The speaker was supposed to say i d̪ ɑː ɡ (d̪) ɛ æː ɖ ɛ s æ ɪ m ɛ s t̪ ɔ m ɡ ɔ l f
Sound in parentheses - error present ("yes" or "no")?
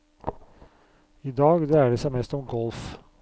no